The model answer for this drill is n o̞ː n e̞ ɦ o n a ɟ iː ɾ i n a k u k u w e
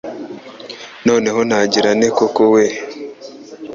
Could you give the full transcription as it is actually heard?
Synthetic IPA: n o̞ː n e̞ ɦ o n a ɟ i ɾ a n e k o k o w e